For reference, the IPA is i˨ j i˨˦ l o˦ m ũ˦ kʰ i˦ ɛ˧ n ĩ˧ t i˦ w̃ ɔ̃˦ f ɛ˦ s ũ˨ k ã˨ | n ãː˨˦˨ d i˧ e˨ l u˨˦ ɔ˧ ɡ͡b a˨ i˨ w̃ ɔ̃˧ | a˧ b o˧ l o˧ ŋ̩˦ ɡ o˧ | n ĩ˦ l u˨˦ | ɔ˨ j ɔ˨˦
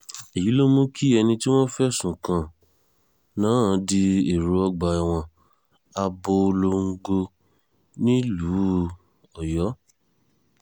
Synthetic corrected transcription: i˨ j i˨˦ l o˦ m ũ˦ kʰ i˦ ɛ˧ n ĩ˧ t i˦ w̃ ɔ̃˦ f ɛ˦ s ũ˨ k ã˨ | n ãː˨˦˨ d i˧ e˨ ɾ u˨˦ ɔ˧ ɡ͡b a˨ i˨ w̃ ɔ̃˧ | a˧ b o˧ l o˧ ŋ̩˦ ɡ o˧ | n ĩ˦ l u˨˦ | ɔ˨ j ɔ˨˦